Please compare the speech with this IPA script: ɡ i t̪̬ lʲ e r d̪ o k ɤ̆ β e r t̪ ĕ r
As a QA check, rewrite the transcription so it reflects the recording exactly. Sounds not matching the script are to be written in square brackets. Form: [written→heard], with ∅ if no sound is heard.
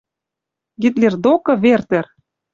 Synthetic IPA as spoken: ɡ i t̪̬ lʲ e r d̪ o k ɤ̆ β e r t̪ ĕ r